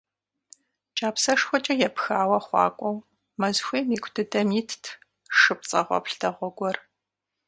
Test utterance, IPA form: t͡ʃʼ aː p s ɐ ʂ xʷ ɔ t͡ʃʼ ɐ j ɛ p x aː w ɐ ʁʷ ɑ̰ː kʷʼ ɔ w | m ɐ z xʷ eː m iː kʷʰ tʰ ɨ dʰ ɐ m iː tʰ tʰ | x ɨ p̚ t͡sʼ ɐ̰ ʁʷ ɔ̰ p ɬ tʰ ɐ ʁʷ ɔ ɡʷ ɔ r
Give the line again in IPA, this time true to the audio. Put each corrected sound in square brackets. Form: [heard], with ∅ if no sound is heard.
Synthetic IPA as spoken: t͡ʃʼ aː p s ɐ ʂ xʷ ɔ t͡ʃʼ ɐ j ɛ p x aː w ɐ [χʷ] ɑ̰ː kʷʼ ɔ w | m ɐ z xʷ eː m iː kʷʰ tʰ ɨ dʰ ɐ m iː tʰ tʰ | [ʂ] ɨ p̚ t͡sʼ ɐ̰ ʁʷ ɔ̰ p ɬ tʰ ɐ ʁʷ ɔ ɡʷ ɔ r